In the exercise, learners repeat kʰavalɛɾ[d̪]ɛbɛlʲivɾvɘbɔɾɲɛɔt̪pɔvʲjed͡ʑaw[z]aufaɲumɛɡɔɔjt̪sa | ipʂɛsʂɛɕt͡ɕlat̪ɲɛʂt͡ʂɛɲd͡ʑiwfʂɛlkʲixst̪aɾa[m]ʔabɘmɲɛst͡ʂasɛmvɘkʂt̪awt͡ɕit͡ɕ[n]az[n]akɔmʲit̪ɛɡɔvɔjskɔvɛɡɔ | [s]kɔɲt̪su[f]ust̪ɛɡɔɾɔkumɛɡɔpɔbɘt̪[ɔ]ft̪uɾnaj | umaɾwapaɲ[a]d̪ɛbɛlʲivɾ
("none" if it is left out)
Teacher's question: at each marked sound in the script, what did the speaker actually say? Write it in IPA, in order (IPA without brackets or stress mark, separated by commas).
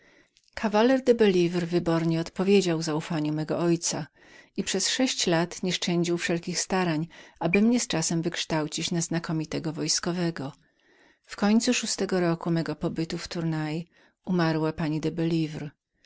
d̪, z, ɲ, n, n, f, ʂ, u, i